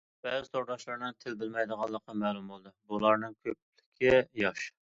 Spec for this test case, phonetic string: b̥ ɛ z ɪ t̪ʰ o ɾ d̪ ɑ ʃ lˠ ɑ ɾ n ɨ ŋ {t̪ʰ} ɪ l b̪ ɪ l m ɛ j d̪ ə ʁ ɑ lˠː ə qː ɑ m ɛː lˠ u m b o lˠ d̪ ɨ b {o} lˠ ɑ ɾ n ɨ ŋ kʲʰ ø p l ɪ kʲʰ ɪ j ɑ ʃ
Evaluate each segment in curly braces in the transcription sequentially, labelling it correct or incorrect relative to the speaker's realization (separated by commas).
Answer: correct, incorrect